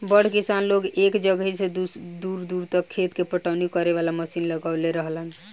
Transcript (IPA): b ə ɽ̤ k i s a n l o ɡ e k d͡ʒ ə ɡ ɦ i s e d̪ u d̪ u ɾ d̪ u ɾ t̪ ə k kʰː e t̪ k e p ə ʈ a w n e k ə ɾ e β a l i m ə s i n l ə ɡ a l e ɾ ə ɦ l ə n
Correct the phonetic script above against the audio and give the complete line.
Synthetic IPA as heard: b ə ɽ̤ k i s a n l o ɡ e k d͡ʒ ə ɡ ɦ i s e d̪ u d̪ u ɾ d̪ u ɾ t̪ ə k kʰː e t̪ k e p ə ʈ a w n i k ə ɾ e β a l a m ə s i n l ə ɡ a l e ɾ ə ɦ l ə n